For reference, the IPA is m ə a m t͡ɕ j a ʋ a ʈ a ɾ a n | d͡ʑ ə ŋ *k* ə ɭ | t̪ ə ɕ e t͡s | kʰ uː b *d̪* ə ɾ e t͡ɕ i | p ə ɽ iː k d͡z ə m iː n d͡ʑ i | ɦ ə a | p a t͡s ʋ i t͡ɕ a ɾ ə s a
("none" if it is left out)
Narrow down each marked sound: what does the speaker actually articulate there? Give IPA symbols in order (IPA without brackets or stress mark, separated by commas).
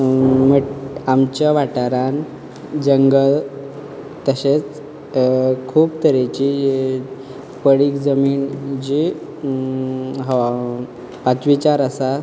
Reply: ɡ, t̪